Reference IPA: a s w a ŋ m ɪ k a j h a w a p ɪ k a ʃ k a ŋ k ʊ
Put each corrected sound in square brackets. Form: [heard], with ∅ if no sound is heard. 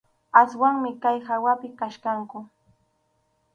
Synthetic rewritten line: a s w a ŋ m ɪ k a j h a w a p ɪ k a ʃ k a ŋ k ʊ